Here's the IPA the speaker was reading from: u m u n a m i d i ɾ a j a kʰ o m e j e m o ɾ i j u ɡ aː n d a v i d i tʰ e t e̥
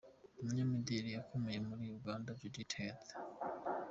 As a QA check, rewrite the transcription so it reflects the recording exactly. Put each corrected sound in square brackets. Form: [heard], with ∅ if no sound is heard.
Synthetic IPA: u m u [ɲ] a m i d i ɾ [i] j a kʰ o m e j e m [u] ɾ i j u ɡ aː n d a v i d i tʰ e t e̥